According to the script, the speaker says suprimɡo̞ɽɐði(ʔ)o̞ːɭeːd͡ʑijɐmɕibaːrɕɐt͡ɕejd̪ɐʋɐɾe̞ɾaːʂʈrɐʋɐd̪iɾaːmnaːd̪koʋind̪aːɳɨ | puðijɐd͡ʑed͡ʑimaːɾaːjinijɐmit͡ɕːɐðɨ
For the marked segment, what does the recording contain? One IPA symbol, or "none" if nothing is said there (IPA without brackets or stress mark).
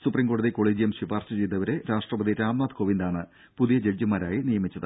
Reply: k